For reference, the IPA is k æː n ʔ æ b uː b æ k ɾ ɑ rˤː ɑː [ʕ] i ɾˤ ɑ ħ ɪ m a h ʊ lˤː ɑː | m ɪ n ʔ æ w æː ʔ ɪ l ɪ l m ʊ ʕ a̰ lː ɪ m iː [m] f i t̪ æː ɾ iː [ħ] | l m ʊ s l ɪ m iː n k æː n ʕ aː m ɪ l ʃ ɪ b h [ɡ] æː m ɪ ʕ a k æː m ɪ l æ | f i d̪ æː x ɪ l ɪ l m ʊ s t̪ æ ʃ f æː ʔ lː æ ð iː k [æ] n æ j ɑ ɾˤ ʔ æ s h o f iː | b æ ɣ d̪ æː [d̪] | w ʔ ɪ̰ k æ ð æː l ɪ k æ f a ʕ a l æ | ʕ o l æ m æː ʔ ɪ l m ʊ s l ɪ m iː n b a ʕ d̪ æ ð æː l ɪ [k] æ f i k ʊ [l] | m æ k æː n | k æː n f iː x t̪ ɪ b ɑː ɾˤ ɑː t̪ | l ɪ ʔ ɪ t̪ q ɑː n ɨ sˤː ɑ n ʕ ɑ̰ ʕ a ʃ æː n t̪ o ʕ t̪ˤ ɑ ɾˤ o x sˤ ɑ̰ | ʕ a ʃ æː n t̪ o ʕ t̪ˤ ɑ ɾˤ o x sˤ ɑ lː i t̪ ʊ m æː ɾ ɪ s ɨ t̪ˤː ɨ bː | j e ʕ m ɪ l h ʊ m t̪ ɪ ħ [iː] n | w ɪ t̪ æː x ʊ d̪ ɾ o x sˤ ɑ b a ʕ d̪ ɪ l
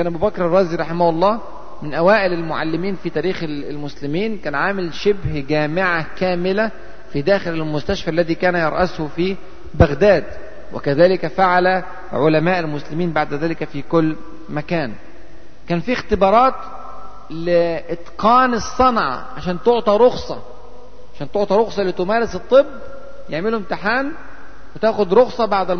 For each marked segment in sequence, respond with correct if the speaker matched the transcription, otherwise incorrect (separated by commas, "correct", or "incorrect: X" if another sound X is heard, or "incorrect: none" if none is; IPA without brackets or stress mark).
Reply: incorrect: z, incorrect: n, incorrect: x, correct, incorrect: æː, correct, correct, incorrect: lː, incorrect: aː